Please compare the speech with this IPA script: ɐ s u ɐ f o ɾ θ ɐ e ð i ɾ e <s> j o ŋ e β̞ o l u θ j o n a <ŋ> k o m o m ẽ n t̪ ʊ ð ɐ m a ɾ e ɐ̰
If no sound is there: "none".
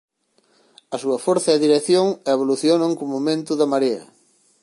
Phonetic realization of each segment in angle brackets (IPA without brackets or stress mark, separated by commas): θ, ŋ